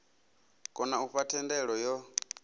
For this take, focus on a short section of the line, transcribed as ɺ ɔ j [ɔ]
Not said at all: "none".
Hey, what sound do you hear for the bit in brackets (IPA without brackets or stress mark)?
ɔ